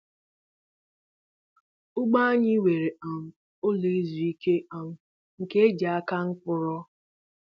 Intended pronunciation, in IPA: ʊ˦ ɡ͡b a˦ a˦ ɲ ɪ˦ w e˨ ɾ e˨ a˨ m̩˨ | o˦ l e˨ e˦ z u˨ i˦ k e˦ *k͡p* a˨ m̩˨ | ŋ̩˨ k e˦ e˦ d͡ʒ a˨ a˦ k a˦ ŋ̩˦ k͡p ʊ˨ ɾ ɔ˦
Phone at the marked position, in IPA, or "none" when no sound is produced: none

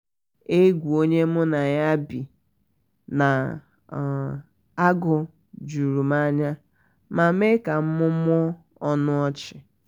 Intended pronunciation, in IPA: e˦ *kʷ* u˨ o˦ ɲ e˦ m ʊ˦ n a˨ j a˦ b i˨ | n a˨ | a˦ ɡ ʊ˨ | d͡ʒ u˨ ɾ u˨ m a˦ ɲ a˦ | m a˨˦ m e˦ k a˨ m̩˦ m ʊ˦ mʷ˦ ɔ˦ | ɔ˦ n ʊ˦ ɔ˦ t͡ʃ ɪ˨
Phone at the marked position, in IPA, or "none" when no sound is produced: ɡʷ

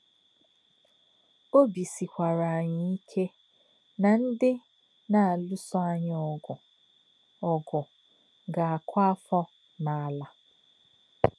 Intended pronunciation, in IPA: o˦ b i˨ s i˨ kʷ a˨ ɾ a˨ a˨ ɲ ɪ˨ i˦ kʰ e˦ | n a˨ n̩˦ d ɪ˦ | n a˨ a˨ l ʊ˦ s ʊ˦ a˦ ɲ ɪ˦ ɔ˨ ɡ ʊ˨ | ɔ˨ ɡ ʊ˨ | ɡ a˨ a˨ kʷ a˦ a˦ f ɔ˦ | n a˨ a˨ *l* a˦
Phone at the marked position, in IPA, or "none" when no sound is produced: l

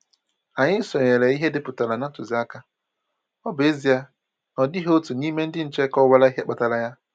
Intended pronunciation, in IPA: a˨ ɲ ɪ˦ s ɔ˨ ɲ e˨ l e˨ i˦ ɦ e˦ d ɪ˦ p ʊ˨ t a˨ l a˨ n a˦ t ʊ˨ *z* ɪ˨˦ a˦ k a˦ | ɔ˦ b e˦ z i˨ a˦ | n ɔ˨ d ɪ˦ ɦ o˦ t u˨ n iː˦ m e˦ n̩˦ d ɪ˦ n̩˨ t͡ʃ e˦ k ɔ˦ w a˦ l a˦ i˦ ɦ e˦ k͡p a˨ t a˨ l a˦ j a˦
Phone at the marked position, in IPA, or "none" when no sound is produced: z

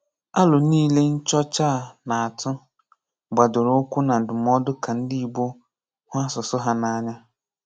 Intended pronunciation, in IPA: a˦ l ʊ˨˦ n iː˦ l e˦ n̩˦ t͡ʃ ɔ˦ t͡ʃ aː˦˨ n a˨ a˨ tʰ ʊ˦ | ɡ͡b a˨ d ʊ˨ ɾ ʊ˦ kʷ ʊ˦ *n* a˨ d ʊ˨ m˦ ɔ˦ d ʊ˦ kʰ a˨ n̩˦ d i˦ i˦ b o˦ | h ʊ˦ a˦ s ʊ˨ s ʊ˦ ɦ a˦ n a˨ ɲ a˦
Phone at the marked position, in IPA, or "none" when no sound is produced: n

